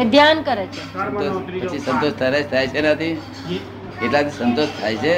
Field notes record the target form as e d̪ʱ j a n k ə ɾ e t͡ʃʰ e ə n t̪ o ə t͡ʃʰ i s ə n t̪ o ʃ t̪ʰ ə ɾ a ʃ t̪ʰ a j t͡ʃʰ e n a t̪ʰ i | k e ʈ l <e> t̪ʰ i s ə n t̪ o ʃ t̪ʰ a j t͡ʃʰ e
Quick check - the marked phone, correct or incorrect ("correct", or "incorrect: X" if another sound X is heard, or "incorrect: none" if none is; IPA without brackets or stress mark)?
incorrect: a